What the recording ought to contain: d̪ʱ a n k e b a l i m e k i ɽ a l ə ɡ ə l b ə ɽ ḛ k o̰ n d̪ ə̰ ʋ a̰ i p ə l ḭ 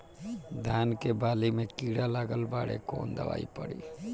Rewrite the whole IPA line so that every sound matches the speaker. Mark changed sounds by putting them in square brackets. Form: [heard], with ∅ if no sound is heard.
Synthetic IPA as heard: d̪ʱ a n k e b a l i m e k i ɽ a l [a] ɡ ə l b [a] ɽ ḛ k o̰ n d̪ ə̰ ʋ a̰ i p ə [ɽ] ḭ

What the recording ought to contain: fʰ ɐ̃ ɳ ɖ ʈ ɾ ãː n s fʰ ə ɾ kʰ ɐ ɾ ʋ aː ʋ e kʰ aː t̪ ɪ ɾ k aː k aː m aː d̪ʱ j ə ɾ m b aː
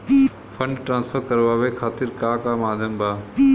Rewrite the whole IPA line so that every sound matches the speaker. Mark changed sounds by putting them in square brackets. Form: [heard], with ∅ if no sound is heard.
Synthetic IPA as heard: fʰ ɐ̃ ɳ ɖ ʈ ɾ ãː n s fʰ ə ɾ [k] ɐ ɾ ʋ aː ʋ e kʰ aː t̪ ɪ ɾ k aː k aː m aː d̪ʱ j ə [∅] m b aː

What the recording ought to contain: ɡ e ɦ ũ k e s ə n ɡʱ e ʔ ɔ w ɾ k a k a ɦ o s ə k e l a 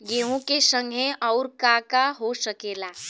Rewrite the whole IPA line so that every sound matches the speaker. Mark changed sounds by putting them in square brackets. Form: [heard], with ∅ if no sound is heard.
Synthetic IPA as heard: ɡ e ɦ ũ k e s ə [ŋ] ɡʱ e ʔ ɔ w ɾ k a k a ɦ o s ə k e l a

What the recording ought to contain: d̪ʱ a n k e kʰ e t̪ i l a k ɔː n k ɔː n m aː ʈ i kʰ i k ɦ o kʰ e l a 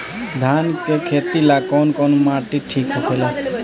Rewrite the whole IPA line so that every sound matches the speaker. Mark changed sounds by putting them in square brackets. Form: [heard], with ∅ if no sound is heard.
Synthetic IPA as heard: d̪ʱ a n k e kʰ e t̪ i l a k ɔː n k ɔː n m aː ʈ i [ʈʰ] i k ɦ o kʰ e l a

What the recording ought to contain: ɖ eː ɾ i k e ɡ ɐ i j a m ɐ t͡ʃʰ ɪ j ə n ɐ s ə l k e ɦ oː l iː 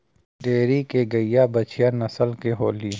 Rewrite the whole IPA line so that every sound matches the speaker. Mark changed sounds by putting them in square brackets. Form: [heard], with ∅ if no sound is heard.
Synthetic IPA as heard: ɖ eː ɾ i k e ɡ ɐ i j a [b] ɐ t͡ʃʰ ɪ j [a] n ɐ s ə l k e ɦ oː l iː

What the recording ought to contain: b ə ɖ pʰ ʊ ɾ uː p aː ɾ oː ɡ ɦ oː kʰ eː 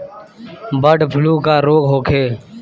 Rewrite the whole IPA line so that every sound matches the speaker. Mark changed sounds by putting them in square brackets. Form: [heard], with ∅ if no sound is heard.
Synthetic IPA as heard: b ə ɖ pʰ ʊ [l] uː [k] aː ɾ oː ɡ ɦ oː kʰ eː

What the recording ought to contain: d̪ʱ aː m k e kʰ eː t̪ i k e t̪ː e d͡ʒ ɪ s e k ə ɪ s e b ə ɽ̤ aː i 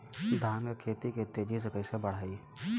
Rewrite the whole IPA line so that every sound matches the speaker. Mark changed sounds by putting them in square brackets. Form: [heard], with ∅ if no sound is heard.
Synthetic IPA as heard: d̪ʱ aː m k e kʰ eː t̪ i k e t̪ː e d͡ʒ [i] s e k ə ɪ s e b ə ɽ̤ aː i

